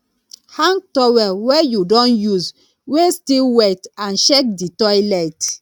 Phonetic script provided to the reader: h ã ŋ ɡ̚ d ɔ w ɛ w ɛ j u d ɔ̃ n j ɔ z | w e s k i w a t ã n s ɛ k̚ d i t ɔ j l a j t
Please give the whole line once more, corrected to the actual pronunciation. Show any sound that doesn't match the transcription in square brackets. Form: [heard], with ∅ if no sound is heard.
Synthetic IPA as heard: h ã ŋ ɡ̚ [t] ɔ w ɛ w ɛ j u d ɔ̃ n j [u] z | w e s [t] i w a t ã n [ʃ] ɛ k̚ d i t ɔ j l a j t